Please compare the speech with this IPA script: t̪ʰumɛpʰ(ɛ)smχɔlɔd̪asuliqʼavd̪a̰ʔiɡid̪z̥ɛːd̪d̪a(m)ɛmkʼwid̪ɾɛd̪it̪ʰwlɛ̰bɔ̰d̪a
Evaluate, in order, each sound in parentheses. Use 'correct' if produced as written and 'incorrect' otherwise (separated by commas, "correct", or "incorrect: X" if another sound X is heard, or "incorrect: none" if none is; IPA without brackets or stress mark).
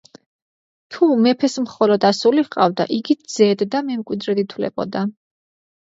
correct, correct